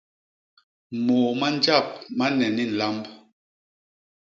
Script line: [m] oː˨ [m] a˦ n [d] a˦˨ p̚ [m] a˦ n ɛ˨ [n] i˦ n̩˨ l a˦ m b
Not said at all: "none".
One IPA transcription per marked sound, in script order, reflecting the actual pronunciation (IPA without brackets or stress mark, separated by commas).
m, m, d͡ʒ, m, n